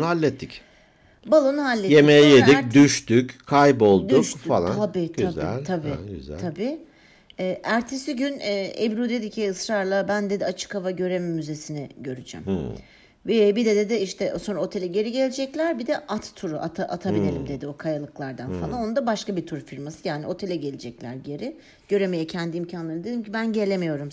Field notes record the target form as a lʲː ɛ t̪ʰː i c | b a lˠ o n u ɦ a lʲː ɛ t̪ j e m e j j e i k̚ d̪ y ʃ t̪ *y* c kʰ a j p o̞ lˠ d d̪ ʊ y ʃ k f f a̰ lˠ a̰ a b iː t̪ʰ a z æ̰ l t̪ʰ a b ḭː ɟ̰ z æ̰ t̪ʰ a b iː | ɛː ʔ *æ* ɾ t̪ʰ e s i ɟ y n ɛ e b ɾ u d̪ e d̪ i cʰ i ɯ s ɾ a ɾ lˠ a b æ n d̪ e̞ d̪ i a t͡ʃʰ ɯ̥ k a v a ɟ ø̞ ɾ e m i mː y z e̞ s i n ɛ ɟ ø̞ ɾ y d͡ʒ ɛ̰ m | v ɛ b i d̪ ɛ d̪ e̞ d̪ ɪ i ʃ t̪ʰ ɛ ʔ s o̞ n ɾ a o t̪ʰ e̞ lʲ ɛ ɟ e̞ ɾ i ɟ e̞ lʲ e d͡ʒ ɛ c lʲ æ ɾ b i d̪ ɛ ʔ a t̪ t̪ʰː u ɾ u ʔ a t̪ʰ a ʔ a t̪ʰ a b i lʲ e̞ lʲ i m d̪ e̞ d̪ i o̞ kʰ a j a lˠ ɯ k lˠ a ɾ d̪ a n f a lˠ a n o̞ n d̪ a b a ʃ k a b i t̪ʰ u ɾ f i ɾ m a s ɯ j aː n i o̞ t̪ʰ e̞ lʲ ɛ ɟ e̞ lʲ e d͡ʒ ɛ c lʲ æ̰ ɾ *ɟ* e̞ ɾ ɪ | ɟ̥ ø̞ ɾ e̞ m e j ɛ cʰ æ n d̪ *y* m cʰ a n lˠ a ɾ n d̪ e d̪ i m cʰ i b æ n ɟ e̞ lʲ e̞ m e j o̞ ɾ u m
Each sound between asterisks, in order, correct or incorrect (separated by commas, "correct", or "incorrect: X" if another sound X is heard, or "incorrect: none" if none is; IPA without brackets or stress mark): correct, correct, correct, incorrect: i